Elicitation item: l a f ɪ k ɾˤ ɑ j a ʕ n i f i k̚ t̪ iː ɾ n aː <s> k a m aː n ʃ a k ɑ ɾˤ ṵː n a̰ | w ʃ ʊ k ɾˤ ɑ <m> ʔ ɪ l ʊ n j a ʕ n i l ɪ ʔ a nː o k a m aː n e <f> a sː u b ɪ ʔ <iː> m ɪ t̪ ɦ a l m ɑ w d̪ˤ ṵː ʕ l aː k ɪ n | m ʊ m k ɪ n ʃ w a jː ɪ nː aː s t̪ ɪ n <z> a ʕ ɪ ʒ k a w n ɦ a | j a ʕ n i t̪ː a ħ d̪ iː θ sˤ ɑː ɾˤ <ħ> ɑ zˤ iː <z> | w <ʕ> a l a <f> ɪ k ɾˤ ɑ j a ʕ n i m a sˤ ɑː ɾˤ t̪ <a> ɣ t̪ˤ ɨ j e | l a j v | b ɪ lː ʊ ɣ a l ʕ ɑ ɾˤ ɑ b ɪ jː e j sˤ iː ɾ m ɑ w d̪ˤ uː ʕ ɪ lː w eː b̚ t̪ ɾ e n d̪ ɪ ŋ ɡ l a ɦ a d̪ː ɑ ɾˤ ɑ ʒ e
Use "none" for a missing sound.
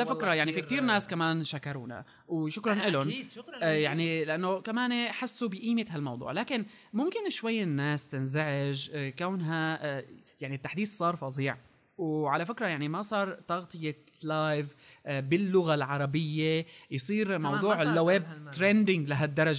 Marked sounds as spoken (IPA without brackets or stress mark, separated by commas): s, n, ħ, iː, z, f, ʕ, ʕ, f, ɑ